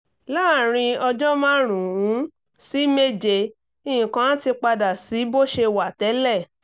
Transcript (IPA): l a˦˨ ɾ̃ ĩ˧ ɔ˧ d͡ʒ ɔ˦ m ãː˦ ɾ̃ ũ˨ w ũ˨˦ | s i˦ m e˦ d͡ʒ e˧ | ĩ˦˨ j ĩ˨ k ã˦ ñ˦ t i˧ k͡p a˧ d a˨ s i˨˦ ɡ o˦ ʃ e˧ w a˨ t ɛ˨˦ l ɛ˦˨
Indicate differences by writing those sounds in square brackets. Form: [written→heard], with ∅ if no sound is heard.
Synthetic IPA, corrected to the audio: l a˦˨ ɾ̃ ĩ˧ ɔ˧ d͡ʒ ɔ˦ m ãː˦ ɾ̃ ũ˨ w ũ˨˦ | s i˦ m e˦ d͡ʒ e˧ | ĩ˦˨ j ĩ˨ k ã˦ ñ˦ t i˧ k͡p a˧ d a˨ s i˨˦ [ɡ→b] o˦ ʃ e˧ w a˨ t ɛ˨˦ l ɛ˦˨